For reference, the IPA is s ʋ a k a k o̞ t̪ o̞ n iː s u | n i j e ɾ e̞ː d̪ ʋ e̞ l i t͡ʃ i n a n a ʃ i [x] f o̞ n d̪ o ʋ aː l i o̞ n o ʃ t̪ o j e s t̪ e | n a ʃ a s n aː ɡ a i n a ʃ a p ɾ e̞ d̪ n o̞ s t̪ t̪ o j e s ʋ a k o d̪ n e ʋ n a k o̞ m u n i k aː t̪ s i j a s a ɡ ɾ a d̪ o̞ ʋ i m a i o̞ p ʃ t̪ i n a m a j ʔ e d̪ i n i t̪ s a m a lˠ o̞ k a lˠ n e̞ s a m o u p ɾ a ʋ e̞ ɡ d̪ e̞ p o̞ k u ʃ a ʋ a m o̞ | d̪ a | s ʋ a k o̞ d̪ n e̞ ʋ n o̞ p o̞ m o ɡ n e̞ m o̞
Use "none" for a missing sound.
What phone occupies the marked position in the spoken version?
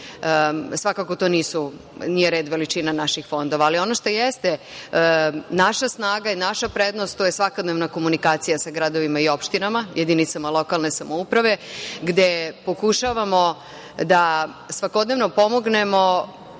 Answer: x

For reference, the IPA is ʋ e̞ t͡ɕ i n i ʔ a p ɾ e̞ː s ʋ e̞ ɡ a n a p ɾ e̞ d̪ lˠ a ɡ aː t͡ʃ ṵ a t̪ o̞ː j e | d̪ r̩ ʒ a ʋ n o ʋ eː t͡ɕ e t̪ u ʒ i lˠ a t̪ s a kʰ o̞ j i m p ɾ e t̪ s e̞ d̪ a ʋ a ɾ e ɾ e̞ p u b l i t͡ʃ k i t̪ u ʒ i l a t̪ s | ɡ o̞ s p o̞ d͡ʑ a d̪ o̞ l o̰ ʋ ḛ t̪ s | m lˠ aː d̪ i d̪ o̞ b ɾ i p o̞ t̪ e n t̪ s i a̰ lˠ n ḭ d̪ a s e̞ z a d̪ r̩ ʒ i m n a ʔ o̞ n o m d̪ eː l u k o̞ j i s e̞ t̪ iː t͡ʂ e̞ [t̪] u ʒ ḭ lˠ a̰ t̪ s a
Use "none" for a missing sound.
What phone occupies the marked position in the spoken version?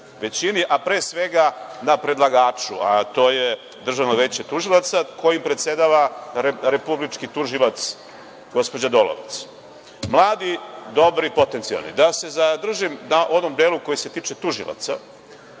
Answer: t̪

